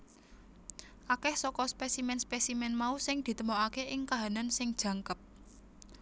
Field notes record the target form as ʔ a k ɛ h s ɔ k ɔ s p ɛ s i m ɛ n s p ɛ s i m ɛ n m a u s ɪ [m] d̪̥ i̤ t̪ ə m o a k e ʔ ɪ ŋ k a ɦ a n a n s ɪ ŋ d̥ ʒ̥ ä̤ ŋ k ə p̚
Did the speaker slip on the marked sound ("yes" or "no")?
yes